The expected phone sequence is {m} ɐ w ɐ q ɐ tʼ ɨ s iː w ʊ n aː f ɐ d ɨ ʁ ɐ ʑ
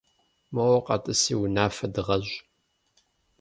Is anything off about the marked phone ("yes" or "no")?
no